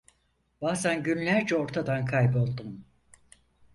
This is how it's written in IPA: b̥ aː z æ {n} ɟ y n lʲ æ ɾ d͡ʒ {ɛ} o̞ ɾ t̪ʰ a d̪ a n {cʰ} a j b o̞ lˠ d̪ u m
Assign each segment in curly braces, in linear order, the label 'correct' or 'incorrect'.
correct, correct, incorrect

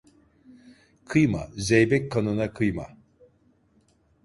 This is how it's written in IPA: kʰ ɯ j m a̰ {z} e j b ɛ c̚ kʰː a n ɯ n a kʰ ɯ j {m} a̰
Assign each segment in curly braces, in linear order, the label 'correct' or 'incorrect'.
correct, correct

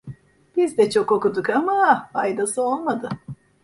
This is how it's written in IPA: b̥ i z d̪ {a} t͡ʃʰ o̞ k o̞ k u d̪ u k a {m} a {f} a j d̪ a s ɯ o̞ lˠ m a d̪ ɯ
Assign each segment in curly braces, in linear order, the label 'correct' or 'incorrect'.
incorrect, correct, correct

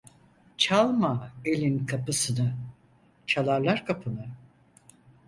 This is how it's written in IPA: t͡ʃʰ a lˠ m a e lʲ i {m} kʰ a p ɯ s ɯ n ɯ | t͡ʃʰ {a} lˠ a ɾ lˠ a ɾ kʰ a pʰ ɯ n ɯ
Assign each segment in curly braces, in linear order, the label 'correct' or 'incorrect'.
incorrect, correct

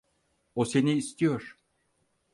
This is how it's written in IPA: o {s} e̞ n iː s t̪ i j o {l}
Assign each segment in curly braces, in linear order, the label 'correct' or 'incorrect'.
correct, incorrect

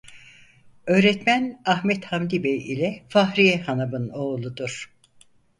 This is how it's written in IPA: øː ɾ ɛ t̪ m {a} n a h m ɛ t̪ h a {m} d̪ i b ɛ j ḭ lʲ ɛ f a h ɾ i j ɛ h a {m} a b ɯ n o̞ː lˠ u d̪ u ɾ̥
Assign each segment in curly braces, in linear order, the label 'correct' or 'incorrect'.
incorrect, correct, incorrect

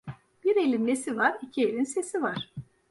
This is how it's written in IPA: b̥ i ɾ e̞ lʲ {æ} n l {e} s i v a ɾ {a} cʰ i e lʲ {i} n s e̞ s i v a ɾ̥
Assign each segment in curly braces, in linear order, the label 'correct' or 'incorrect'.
incorrect, correct, incorrect, correct

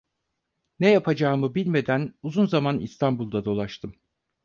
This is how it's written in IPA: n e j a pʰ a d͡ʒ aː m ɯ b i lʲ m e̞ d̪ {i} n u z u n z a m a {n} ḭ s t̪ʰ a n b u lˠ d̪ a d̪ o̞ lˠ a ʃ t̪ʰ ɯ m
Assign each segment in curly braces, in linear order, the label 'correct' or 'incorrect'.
incorrect, correct

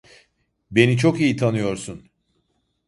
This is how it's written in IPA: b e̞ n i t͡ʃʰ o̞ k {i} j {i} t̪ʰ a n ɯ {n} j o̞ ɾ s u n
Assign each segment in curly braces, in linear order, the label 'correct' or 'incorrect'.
correct, correct, incorrect

